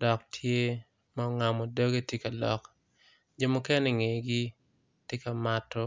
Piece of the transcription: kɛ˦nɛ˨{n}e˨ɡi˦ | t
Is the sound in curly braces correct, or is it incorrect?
incorrect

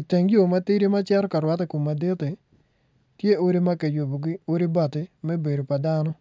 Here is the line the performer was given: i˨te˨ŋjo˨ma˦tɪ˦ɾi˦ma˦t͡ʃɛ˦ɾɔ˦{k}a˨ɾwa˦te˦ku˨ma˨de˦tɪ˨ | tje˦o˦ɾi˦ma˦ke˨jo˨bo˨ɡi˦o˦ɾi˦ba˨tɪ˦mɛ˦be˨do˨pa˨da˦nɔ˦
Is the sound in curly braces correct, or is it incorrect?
correct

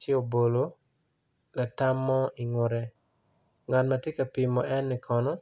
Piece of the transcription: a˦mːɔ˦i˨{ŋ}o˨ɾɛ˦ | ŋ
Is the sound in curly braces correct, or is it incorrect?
correct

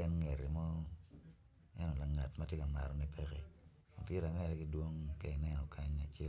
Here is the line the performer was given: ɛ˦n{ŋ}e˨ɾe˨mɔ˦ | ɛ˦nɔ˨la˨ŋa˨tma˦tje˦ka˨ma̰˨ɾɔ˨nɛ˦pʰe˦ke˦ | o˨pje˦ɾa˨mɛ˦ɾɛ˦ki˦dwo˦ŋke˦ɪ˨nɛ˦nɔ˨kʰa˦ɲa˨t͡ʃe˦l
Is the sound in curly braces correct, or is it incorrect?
correct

